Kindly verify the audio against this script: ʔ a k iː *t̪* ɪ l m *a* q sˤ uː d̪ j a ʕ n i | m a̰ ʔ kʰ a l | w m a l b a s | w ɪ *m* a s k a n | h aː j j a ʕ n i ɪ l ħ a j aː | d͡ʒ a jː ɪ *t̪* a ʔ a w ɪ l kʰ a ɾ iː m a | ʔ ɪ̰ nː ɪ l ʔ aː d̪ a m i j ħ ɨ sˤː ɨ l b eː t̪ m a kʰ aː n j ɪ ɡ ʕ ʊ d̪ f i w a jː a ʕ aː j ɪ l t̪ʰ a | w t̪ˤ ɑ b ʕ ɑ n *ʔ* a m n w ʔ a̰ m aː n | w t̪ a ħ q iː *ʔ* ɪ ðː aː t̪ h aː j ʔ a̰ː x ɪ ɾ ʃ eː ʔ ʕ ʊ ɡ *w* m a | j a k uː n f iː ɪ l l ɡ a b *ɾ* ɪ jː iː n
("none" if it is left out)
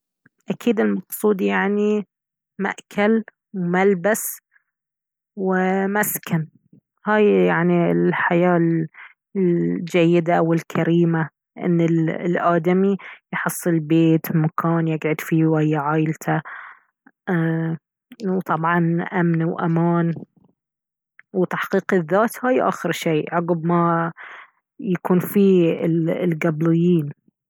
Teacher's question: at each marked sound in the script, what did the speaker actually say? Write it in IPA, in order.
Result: d̪, ɑ, m, d̪, ʔ, q, b, l

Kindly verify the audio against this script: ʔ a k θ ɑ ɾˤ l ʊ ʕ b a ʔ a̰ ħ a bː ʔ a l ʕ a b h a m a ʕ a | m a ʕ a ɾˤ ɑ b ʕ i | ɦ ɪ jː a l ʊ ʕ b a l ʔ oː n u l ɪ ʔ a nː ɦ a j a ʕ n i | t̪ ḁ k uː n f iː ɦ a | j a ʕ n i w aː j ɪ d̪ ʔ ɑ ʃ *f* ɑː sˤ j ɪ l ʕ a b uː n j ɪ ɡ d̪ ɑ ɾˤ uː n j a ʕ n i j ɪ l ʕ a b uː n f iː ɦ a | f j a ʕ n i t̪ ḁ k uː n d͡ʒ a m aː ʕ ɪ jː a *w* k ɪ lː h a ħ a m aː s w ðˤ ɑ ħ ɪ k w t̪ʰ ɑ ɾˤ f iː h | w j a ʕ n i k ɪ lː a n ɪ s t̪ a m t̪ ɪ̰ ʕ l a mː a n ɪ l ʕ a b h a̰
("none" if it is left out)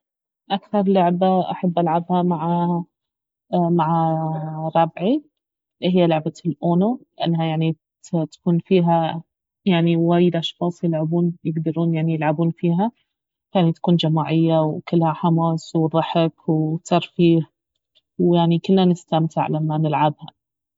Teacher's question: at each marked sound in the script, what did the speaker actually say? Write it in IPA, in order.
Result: x, w

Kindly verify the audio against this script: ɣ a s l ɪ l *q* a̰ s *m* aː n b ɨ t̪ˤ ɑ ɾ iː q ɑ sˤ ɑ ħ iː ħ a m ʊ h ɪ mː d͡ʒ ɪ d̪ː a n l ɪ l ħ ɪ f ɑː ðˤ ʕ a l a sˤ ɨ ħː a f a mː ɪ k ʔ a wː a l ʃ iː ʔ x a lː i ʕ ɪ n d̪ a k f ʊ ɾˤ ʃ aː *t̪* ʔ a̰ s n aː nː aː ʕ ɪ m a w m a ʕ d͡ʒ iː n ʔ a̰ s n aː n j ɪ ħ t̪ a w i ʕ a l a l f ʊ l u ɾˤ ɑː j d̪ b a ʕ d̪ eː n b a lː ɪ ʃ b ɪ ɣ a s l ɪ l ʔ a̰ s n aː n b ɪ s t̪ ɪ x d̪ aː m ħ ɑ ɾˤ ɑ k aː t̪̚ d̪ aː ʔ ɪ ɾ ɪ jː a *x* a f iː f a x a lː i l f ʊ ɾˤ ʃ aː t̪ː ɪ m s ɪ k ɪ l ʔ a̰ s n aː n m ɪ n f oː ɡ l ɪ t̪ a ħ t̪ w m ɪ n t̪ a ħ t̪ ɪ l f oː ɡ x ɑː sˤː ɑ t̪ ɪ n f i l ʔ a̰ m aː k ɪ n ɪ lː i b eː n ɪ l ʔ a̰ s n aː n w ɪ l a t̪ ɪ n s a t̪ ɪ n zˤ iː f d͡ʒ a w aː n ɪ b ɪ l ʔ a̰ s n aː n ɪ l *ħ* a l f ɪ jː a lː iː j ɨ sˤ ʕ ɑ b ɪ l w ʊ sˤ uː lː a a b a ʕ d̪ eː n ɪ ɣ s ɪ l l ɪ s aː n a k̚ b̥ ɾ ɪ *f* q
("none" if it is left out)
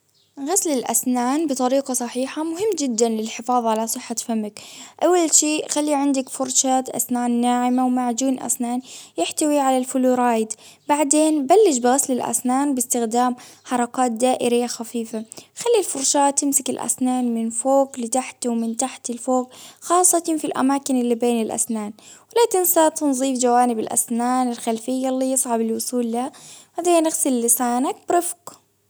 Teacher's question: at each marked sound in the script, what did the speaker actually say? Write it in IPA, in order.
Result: ʔ, n, t̪, x, x, f

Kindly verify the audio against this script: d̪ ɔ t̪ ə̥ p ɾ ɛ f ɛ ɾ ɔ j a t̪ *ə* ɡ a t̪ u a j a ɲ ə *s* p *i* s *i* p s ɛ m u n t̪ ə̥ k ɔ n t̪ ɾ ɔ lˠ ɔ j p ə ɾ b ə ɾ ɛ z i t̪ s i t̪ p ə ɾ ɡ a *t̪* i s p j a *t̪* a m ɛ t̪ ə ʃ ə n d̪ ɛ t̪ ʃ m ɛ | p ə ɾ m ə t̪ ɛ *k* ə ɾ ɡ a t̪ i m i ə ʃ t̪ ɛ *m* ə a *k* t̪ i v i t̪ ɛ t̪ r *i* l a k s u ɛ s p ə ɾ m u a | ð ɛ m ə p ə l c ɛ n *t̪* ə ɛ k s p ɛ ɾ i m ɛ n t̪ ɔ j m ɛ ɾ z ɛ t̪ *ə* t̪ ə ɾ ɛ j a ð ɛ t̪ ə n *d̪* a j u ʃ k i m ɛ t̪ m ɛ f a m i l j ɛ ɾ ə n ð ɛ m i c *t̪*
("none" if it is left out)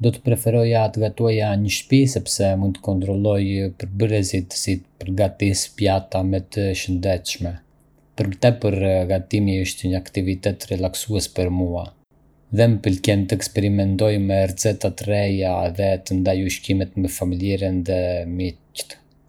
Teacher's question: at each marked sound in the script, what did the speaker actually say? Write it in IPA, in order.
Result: ə, ʃ, i, ɛ, t̪, t̪, p, ɲ, k, ɛ, t̪, a, d̪, t̪

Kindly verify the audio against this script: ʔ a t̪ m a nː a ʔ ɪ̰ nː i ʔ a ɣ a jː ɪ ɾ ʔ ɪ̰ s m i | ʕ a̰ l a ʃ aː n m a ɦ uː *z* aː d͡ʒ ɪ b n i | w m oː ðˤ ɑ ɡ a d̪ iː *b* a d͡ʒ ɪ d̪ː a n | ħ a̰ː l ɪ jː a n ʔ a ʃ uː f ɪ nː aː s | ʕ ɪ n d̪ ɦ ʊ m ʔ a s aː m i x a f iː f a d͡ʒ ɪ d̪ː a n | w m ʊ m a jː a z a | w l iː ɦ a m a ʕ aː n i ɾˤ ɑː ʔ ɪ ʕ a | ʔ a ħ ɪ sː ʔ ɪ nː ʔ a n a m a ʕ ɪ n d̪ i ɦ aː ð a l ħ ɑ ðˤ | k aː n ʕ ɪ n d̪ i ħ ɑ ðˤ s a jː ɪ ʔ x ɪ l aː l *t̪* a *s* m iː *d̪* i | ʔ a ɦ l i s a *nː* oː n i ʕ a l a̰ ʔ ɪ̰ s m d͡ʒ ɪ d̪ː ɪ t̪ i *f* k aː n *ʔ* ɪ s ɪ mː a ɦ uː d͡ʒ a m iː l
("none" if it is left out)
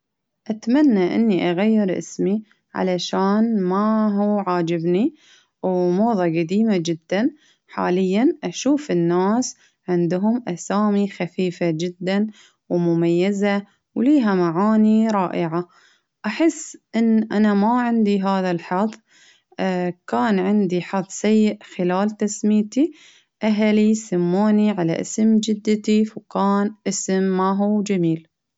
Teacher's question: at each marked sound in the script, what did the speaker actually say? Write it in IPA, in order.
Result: ʕ, m, t̪, s, t̪, mː, f, ʔ

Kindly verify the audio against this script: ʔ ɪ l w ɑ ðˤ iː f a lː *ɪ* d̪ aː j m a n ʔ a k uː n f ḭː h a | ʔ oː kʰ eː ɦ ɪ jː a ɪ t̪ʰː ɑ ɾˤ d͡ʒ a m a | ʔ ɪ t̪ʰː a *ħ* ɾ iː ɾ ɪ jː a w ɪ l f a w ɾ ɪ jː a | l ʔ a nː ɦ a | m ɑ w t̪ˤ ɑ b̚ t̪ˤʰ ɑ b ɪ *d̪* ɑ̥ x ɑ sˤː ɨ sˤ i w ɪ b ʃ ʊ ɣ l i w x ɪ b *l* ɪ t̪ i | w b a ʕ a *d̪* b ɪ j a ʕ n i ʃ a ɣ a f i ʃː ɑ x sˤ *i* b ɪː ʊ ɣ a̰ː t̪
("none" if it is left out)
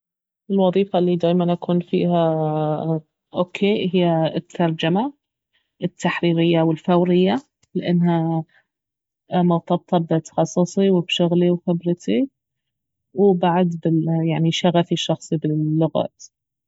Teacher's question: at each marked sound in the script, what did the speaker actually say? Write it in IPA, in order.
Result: i, ħ, t̪, ɾ, d̪, i

